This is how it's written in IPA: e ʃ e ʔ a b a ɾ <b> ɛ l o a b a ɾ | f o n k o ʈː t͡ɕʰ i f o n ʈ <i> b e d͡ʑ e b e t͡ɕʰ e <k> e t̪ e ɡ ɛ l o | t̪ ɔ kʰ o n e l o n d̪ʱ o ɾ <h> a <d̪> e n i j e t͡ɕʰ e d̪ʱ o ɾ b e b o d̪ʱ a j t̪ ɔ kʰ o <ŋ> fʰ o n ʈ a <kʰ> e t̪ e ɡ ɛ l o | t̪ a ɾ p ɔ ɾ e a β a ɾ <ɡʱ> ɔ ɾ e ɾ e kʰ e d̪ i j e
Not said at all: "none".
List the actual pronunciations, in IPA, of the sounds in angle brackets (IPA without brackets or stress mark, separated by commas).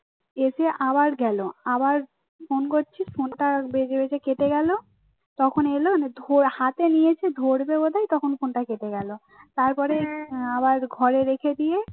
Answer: ɡ, a, k, h, t̪, n, k, ɡʱ